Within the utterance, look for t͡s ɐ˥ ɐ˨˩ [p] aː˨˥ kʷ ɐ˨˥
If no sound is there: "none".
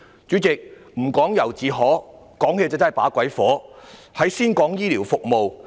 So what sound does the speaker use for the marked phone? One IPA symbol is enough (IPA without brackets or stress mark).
p